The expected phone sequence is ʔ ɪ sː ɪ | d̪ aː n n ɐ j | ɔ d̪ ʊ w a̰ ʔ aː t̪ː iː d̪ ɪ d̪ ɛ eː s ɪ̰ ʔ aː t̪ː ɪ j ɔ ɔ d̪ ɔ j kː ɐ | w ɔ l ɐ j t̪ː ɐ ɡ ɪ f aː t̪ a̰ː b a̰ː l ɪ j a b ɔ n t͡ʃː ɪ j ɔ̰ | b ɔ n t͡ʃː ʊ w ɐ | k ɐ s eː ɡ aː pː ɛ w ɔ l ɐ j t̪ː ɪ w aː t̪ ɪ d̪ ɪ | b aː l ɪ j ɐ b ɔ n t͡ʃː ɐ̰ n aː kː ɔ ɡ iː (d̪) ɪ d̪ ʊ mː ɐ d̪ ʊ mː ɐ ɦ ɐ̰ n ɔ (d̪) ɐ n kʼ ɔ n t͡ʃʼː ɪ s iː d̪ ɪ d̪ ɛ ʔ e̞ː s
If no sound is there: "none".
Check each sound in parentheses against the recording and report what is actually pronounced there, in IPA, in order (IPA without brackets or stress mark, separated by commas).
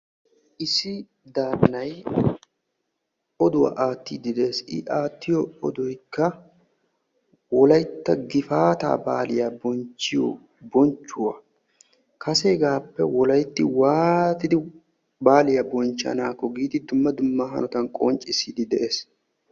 d̪, t̪